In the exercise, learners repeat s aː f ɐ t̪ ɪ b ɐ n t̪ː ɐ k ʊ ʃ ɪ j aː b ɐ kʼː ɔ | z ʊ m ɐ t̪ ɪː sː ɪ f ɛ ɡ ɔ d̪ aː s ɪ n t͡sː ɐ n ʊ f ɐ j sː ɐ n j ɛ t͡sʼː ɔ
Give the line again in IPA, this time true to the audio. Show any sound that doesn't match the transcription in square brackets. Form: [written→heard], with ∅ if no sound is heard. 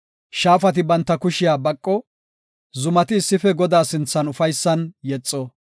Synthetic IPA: [s→ʃ] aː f ɐ t̪ ɪ b ɐ n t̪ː ɐ k ʊ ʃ ɪ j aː b ɐ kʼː ɔ | z ʊ m ɐ t̪ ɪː sː ɪ f ɛ ɡ ɔ d̪ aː s ɪ n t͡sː ɐ n ʊ f ɐ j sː ɐ n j ɛ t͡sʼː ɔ